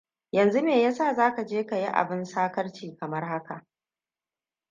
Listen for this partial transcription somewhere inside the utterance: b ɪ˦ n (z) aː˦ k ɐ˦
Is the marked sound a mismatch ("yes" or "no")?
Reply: yes